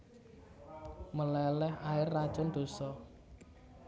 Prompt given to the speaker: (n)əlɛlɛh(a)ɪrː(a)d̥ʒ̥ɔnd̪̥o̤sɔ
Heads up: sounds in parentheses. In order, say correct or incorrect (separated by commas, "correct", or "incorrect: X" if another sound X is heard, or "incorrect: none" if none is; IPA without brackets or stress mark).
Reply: incorrect: m, correct, correct